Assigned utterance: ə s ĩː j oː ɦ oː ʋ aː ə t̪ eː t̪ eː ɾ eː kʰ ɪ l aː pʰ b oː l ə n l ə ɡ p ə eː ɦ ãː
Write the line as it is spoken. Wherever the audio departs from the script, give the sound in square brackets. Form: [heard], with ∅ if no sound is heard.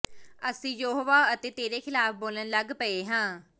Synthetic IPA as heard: ə s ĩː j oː ɦ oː ʋ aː ə t̪ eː t̪ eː ɾ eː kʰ ɪ l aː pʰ b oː l ə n l ə ɡ p ə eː ɦ ãː